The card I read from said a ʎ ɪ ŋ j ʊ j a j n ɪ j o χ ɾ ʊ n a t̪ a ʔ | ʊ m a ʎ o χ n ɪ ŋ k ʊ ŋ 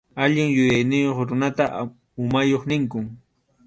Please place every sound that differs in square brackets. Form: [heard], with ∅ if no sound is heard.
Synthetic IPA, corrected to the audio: a ʎ ɪ ŋ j ʊ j a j n ɪ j o χ ɾ ʊ n a t̪ a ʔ | ʊ m a [j] o χ n ɪ ŋ k ʊ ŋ